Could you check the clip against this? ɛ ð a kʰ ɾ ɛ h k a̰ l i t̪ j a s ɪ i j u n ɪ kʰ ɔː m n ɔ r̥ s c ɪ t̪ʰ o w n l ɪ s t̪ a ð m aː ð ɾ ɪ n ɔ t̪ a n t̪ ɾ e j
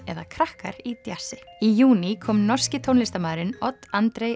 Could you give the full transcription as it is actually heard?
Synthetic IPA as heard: ɛ ð a kʰ ɾ a h k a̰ ɾ i t̪ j a s ɪ i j uː n i kʰ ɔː m n ɔ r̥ s c ɪ t̪ʰ o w n l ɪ s t̪ a m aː ð ɾ ɪ n ɔ t̪ a n t̪ ɾ e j